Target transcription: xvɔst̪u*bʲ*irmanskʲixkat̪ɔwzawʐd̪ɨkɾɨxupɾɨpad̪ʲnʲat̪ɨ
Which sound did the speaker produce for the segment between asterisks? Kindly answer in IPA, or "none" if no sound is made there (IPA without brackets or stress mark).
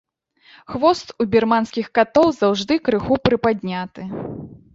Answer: bʲ